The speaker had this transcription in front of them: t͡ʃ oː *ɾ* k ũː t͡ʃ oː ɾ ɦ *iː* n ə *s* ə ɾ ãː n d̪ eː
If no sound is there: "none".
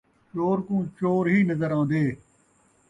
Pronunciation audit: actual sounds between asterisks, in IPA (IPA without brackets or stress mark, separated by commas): ɾ, iː, z